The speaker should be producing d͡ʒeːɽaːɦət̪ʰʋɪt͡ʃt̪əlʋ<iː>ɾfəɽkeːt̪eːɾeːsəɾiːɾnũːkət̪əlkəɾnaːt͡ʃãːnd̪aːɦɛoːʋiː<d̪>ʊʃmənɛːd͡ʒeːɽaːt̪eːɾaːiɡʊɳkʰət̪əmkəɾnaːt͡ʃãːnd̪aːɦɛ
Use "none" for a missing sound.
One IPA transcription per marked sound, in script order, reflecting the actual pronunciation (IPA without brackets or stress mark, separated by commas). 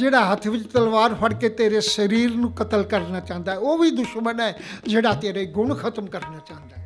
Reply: aː, d̪